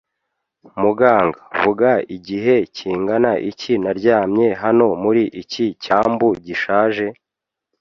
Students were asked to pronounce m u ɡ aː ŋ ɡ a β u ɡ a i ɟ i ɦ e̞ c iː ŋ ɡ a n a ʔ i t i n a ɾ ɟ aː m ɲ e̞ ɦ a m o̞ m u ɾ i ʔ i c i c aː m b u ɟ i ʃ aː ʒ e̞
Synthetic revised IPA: m u ɡ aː ŋ ɡ a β u ɡ a i ɟ i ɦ e̞ c iː ŋ ɡ a n a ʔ i c i n a ɾ ɟ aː m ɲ e̞ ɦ a n o̞ m u ɾ i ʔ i c i c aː m b u ɟ i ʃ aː ʒ e̞

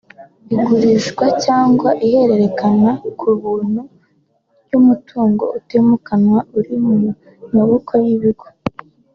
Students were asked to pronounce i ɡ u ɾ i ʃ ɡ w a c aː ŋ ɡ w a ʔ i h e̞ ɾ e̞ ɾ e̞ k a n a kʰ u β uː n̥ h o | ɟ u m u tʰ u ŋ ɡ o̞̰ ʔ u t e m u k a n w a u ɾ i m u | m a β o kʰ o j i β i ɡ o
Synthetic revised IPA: i ɡ u ɾ i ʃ ɡ w a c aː ŋ ɡ w a ʔ i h e̞ ɾ e̞ ɾ e̞ k a n a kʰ u β uː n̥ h u | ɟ u m u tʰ uː ŋ ɡ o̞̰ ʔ u t e m u k a n w a u ɾ i m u | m a β o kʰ o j i β i ɡ o

